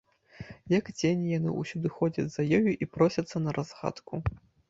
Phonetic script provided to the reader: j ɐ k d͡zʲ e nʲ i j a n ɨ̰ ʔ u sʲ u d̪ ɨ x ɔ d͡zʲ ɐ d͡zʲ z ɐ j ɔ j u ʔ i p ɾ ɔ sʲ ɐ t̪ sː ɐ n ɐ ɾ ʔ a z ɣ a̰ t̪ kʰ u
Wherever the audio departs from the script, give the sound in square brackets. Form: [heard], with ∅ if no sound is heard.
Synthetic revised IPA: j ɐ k d͡zʲ e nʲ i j a n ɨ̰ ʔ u sʲ u d̪ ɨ x ɔ d͡zʲ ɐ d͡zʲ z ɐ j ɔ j u ʔ i p ɾ ɔ sʲ ɐ t̪ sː ɐ n ɐ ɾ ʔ a z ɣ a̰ t̪ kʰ u